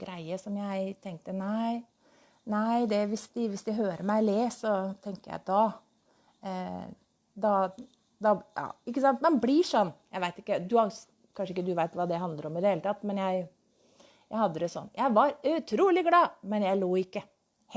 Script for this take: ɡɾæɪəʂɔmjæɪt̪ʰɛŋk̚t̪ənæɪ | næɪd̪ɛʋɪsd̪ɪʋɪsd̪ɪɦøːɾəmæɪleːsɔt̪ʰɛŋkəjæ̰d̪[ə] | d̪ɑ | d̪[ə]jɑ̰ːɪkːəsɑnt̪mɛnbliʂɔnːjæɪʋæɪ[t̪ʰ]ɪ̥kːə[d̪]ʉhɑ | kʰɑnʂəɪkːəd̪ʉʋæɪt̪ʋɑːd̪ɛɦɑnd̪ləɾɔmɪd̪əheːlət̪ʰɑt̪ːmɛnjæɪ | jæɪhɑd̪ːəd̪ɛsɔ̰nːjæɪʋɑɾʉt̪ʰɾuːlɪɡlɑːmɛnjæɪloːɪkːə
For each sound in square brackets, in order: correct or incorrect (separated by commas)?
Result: incorrect, incorrect, incorrect, correct